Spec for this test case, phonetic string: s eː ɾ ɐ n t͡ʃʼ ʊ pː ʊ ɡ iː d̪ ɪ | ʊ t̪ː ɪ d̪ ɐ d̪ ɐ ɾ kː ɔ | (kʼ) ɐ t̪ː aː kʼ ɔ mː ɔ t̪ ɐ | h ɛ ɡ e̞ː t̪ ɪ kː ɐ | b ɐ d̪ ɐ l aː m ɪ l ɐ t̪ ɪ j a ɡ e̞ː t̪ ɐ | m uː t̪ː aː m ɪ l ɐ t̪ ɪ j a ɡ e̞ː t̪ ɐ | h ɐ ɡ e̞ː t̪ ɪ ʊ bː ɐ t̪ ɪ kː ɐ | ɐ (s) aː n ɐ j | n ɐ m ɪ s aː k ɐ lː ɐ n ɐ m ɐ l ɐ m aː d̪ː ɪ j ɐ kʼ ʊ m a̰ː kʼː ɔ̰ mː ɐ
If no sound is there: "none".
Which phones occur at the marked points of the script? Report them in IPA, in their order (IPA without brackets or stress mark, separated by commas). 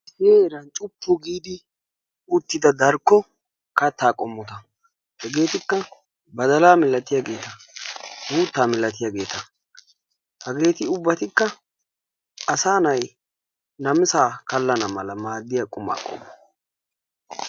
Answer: k, s